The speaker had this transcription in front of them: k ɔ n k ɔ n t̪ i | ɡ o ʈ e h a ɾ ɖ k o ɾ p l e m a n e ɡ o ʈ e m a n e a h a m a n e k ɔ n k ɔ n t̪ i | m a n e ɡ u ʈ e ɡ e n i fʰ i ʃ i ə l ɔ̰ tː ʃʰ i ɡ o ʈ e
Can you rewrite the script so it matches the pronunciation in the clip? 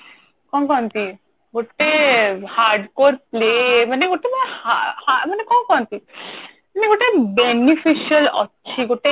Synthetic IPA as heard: k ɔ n k ɔ n t̪ i | ɡ o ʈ e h a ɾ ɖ k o ɾ p l e m a n e ɡ o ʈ e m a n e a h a m a n e k ɔ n k ɔ n t̪ i | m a n e ɡ o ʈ e b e n i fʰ i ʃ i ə l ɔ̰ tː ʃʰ i ɡ o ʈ e